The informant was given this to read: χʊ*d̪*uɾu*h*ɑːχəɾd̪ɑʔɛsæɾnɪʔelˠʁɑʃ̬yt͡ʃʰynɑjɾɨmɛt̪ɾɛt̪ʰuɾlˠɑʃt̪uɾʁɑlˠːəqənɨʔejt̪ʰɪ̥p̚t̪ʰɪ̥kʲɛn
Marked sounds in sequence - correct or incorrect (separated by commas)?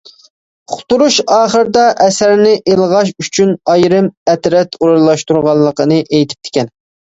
incorrect, incorrect